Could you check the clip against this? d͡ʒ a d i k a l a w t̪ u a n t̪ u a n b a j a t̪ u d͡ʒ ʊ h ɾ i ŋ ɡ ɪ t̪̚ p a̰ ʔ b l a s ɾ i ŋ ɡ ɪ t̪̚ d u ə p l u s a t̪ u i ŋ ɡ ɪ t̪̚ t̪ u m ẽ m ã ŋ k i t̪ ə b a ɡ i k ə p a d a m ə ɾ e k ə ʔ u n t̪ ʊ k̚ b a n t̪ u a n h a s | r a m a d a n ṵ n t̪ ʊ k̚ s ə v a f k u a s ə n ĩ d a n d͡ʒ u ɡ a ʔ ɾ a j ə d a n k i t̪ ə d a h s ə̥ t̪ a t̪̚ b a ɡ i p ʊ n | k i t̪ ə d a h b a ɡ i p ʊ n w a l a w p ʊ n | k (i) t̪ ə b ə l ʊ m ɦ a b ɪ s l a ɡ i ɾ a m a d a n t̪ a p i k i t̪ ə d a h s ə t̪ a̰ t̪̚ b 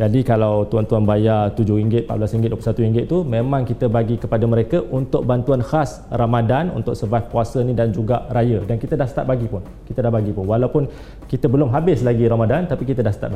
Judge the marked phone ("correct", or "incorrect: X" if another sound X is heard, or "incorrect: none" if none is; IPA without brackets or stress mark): correct